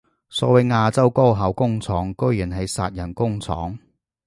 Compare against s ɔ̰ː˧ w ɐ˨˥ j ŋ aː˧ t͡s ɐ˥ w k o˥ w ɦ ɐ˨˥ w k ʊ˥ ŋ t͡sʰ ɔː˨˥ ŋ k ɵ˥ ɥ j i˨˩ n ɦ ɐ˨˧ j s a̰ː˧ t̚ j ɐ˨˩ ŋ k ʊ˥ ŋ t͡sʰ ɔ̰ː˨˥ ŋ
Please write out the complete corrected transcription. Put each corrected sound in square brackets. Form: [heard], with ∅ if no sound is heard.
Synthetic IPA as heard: s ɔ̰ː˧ w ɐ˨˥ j ŋ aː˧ t͡s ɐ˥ w k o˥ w ɦ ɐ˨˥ w k ʊ˥ ŋ t͡sʰ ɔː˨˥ ŋ k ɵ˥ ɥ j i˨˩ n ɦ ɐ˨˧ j s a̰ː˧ t̚ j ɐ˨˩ [n] k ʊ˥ ŋ t͡sʰ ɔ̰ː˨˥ ŋ